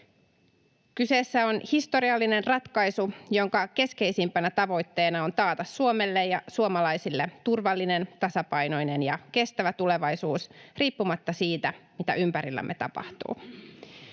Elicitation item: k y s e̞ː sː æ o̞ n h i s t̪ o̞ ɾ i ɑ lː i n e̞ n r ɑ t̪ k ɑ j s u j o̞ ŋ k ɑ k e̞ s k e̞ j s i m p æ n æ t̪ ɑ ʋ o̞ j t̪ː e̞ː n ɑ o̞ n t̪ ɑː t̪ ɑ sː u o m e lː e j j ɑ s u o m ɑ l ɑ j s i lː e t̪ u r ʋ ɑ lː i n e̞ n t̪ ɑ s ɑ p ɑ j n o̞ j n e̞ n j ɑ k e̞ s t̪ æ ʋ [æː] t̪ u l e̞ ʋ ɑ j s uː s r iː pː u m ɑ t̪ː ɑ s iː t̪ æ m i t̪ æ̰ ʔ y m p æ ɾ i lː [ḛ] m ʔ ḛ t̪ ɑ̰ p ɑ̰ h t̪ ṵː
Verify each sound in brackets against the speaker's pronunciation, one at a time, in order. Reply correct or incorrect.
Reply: incorrect: æ, incorrect: æ̰

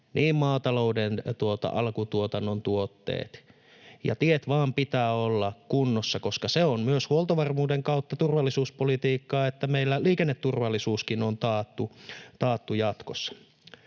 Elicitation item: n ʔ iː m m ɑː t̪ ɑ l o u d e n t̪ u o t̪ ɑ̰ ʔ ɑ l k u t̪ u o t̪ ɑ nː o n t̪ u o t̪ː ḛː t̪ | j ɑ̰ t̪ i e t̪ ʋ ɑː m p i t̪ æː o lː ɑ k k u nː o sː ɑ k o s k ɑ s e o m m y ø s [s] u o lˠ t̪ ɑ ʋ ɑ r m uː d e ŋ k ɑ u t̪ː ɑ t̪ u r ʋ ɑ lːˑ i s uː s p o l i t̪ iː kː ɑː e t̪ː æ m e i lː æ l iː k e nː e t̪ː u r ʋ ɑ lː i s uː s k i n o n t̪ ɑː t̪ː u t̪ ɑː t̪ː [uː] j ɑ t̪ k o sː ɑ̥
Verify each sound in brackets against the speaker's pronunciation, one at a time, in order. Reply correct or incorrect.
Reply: incorrect: h, incorrect: u

